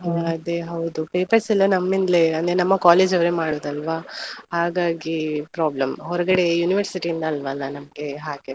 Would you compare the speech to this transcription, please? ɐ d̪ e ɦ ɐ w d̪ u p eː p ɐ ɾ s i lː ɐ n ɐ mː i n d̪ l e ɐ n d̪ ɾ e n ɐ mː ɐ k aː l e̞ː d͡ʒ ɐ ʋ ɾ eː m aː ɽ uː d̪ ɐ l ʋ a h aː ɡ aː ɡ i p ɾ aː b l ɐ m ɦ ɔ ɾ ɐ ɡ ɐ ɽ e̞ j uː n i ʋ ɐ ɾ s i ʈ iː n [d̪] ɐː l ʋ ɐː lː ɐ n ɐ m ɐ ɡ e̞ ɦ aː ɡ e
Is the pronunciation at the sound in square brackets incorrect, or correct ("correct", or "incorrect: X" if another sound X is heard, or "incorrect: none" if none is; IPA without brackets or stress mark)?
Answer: correct